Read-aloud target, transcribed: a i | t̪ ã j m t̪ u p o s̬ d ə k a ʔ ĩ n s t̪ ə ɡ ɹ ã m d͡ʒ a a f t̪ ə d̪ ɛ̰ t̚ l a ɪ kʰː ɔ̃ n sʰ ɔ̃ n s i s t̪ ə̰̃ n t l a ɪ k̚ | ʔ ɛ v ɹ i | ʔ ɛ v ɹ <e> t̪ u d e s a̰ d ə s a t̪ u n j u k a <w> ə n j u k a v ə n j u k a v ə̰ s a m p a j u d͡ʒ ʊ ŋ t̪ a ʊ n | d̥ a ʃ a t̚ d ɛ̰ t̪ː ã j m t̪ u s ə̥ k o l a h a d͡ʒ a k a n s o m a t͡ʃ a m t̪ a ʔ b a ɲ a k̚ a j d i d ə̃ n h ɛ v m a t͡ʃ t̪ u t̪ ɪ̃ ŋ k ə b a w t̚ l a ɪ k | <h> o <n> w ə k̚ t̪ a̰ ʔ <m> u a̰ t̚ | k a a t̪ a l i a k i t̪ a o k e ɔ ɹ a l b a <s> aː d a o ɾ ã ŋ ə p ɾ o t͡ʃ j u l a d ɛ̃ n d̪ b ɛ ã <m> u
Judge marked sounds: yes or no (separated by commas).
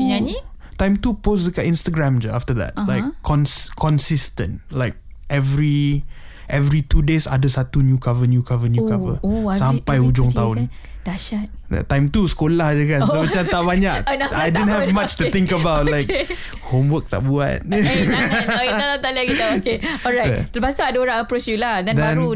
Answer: no, no, yes, no, no, yes, no